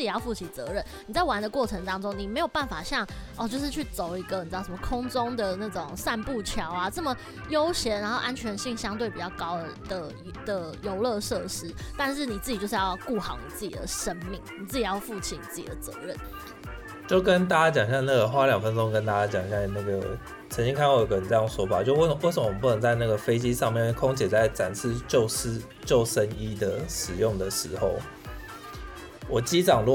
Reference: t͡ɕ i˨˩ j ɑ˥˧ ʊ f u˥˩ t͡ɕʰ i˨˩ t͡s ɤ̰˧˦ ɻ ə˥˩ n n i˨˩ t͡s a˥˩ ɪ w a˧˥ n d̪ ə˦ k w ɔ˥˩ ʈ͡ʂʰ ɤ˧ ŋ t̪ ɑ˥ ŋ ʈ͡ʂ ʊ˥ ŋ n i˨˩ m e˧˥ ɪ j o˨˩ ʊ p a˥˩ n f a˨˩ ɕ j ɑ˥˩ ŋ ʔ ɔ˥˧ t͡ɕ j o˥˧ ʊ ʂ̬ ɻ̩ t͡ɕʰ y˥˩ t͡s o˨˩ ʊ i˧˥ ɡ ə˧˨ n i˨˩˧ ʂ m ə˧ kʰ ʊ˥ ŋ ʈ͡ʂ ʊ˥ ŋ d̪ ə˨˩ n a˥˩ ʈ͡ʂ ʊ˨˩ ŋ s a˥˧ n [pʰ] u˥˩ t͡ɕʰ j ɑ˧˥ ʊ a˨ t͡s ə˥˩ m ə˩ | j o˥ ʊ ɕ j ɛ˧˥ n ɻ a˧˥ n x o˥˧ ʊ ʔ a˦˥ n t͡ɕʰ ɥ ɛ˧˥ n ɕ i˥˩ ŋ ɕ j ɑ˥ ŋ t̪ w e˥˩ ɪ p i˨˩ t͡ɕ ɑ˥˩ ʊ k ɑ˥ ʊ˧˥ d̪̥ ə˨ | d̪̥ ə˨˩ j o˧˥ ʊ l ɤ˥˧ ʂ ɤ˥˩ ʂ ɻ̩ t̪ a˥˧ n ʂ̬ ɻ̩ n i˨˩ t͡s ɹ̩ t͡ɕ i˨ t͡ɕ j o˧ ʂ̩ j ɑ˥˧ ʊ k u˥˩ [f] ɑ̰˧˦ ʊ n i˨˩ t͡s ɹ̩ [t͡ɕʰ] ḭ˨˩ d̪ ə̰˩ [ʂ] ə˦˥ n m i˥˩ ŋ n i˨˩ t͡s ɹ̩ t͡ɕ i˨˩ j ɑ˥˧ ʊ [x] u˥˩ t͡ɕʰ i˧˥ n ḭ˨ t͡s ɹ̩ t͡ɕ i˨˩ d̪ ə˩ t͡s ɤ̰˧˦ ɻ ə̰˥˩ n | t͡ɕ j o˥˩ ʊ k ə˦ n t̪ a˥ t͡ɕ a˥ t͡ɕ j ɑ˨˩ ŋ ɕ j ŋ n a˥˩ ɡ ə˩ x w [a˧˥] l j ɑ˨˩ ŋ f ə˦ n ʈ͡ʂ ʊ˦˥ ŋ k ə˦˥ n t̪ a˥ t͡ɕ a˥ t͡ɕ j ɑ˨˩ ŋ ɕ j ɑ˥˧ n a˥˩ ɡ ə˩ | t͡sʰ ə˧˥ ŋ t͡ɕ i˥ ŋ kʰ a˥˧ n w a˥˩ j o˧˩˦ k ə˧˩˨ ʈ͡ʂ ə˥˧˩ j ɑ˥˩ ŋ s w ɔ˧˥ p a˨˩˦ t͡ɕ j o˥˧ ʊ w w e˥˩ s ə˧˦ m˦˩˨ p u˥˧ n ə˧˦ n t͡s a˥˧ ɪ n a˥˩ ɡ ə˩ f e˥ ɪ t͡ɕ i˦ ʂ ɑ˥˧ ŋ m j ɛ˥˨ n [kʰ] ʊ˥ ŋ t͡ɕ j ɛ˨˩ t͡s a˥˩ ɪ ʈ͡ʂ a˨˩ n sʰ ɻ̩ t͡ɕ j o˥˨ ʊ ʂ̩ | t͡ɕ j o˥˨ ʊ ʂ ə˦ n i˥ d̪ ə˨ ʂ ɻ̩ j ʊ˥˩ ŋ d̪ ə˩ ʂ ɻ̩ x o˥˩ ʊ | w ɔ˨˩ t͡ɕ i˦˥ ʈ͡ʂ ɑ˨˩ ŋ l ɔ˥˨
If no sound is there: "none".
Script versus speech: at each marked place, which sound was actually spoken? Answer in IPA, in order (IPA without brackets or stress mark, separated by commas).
p, x, t͡ɕ, ʂ, f, a˥, kʰ